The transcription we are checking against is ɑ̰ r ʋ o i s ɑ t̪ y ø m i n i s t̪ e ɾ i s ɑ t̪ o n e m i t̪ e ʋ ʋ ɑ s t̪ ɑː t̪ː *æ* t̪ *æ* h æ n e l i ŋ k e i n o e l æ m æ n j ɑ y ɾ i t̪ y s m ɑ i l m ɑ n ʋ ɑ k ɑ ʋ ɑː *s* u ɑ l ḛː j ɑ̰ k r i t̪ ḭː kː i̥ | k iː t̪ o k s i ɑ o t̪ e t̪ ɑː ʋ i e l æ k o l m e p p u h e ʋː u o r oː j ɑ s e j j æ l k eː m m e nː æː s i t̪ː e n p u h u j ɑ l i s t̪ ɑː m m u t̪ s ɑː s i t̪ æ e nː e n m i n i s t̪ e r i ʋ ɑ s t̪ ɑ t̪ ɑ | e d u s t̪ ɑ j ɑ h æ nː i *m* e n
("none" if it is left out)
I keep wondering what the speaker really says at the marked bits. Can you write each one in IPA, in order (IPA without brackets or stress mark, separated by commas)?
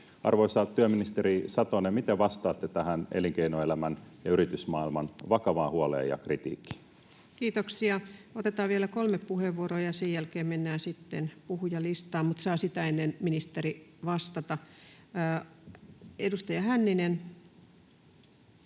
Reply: e, æ, h, n